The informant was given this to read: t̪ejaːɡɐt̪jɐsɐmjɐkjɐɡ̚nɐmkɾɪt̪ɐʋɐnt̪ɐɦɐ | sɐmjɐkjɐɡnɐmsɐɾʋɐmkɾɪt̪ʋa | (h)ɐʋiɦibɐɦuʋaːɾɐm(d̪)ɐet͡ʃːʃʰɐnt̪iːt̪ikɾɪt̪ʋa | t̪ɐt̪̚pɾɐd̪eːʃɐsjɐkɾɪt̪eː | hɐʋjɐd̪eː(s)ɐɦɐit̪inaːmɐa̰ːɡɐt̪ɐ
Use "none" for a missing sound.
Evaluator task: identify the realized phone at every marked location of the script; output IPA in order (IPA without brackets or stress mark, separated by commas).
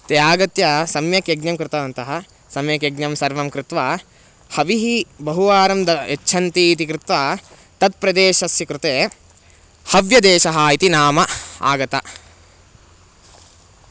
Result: h, d̪, ʃ